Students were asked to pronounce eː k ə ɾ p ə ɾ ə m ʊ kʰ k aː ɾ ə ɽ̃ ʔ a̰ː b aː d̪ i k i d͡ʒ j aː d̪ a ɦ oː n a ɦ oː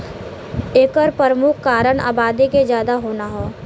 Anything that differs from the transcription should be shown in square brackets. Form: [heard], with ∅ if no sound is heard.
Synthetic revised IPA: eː k ə ɾ p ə ɾ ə m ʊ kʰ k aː ɾ ə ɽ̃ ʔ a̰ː b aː d̪ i k [e] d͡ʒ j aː d̪ a ɦ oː n a ɦ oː